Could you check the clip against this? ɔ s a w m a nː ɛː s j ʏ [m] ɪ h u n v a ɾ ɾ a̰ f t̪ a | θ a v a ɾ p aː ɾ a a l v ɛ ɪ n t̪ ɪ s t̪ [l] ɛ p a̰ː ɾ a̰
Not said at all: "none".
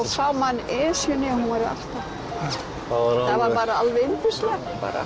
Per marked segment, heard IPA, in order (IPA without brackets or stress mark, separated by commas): n, l